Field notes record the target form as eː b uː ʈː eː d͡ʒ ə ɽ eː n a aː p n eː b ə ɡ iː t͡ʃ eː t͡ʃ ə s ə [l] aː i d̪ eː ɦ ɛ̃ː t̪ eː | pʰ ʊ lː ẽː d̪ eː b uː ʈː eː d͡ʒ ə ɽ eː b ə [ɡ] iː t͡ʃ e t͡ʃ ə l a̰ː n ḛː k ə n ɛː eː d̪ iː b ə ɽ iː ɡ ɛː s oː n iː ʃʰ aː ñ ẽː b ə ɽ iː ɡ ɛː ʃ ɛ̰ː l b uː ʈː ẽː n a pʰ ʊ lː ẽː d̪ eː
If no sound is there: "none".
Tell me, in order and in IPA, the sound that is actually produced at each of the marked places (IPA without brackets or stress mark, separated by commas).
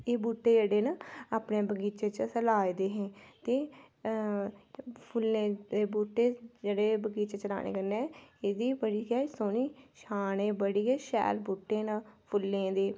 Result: l, ɡ